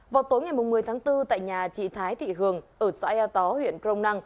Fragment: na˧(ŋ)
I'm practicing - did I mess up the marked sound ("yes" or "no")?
no